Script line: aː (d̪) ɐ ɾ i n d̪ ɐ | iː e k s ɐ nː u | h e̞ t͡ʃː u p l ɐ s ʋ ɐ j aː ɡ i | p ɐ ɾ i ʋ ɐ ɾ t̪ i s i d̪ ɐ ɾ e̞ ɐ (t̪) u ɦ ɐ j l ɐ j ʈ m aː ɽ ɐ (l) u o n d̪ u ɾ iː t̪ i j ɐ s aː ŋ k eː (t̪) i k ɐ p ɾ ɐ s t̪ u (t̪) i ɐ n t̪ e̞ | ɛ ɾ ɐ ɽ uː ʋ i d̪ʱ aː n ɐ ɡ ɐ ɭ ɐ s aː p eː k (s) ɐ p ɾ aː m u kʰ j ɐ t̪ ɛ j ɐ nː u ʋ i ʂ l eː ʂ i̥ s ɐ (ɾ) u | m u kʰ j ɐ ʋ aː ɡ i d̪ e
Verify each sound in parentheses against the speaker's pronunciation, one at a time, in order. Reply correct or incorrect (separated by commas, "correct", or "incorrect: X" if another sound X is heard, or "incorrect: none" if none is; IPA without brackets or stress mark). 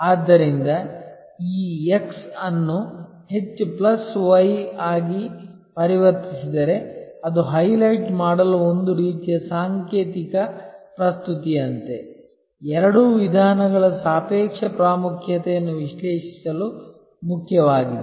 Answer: incorrect: d̪ː, incorrect: d̪, correct, correct, correct, incorrect: ʂ, incorrect: l